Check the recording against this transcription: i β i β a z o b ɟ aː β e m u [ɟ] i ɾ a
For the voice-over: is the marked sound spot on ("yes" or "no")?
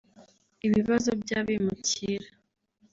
no